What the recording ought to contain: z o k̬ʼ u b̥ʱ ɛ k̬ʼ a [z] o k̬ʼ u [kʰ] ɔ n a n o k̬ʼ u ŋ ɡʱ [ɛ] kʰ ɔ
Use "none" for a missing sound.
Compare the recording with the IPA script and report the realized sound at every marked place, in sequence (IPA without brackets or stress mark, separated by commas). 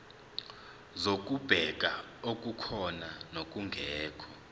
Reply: none, kʰ, ɛː